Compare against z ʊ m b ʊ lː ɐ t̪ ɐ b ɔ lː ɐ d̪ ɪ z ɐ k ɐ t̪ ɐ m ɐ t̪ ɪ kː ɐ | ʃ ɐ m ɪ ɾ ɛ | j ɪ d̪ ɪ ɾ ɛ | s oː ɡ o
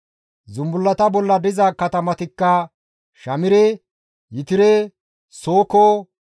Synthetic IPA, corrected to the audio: z ʊ m b ʊ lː ɐ t̪ ɐ b ɔ lː ɐ d̪ ɪ z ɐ k ɐ t̪ ɐ m ɐ t̪ ɪ kː ɐ | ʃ ɐ m ɪ ɾ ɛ | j ɪ t̪ ɪ ɾ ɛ | s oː k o